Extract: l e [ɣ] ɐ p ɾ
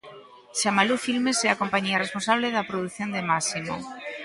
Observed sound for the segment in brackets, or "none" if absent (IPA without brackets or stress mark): ð